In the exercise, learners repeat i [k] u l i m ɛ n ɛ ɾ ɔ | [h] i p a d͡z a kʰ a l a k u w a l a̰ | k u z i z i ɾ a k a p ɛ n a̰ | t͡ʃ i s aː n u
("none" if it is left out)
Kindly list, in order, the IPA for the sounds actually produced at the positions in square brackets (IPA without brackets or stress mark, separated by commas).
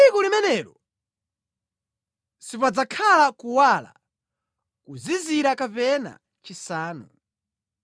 k, s